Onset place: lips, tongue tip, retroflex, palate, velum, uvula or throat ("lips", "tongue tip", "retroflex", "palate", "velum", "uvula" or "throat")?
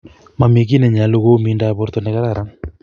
lips